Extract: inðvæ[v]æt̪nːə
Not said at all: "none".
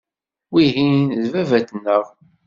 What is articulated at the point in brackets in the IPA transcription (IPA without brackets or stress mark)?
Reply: v